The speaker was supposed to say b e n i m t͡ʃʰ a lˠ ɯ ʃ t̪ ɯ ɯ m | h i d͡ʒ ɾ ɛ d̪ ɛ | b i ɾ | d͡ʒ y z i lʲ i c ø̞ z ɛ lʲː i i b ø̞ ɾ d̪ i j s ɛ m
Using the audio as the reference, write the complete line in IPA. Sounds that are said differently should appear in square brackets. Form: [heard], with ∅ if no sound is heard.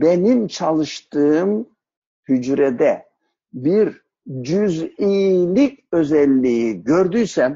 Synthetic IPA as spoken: b e n i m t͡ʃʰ a lˠ ɯ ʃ t̪ ɯ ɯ m | h [y] d͡ʒ ɾ ɛ d̪ ɛ | b i ɾ | d͡ʒ y z i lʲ i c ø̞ z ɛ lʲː i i [ɟ] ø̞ ɾ d̪ [y] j s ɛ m

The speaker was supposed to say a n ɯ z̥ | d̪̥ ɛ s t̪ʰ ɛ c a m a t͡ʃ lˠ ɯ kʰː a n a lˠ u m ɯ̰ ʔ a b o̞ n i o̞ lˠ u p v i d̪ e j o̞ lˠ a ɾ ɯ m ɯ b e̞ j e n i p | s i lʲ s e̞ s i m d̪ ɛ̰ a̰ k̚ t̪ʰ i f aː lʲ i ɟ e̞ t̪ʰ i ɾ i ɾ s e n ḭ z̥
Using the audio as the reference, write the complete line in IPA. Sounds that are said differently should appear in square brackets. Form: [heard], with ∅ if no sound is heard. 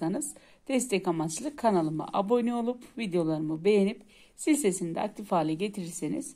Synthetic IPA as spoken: a n ɯ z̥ | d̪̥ ɛ s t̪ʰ ɛ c a m a t͡ʃ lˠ ɯ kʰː a n a lˠ [ɯ] m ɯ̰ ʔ a b o̞ n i o̞ lˠ u p v i d̪ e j o̞ lˠ a ɾ ɯ m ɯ b e̞ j e n i p | s i lʲ s e̞ s i [n] d̪ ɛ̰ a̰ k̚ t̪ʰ i f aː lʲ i ɟ e̞ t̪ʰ i ɾ i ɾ s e n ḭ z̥

